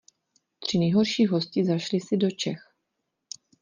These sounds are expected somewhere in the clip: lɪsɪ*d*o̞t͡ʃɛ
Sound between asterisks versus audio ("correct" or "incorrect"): correct